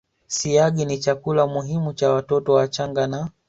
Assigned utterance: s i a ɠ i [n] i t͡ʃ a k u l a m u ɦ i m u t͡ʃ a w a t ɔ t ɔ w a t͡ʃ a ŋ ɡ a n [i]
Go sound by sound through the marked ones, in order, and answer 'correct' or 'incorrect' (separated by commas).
correct, incorrect